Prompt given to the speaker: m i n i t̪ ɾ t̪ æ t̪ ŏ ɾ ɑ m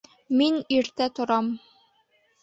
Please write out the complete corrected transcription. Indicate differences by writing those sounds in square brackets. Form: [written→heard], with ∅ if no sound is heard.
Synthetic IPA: m i n i [t̪→∅] ɾ t̪ æ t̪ ŏ ɾ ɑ m